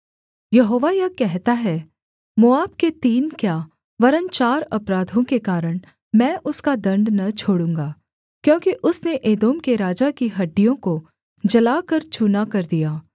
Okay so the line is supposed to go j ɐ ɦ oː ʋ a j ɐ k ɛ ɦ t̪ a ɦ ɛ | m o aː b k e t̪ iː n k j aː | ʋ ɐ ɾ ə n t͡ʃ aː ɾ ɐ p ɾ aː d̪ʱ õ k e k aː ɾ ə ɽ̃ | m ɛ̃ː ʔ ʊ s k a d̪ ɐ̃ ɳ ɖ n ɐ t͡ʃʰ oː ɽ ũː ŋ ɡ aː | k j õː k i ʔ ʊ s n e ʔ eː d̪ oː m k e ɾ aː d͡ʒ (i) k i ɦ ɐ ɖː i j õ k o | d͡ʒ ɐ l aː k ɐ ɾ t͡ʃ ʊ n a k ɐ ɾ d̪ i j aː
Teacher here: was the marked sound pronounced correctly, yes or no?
no